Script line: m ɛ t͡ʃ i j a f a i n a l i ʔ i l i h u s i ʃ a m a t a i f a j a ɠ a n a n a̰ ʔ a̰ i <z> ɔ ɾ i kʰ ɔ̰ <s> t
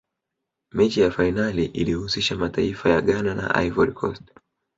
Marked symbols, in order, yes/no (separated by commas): no, yes